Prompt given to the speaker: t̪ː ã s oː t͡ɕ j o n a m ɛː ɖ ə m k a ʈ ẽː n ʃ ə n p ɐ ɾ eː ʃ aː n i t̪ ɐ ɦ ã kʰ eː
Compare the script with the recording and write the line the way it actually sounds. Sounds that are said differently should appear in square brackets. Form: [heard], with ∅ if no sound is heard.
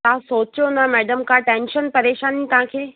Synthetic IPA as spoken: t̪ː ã s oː t͡ɕ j o n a m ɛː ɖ ə m k a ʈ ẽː n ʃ ə n p ɐ ɾ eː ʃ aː n i t̪ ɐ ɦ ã kʰ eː